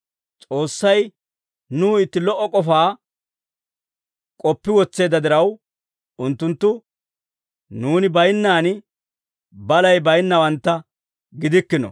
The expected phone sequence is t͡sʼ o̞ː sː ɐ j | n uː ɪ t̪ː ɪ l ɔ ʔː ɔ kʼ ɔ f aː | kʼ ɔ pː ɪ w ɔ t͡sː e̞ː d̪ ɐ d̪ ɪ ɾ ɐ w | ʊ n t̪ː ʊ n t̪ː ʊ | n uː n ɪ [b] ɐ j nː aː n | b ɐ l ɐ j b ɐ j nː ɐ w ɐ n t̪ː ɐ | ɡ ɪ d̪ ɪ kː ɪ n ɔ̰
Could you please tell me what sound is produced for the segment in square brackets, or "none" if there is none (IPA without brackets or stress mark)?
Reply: b